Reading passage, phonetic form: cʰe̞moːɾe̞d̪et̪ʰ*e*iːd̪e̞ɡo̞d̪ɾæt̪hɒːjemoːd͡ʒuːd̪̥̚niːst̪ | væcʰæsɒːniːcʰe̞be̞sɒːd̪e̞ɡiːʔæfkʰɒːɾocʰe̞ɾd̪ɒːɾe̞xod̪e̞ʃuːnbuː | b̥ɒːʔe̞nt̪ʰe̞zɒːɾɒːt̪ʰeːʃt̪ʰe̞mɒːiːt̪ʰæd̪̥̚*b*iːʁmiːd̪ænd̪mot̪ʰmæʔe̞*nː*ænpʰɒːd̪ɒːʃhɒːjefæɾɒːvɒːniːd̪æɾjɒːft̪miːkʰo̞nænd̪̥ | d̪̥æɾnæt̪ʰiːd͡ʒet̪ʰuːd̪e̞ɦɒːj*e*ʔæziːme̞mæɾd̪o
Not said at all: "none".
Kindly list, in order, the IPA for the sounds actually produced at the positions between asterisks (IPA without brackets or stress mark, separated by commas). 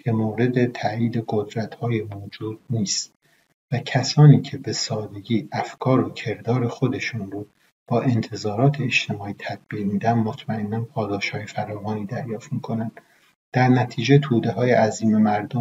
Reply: æ, b, nː, e